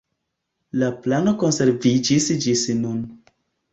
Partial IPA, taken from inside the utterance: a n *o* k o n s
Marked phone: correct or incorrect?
correct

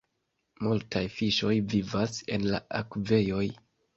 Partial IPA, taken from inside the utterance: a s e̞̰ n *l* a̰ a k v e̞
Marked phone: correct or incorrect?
correct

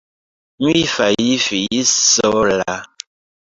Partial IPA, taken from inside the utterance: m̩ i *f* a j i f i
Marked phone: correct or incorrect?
correct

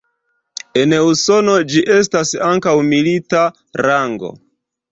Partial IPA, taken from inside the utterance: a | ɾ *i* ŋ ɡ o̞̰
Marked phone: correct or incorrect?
incorrect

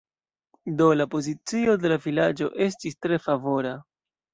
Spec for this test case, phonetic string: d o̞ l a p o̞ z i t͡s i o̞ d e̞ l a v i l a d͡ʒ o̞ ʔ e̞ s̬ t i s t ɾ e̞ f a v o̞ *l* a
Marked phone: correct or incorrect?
incorrect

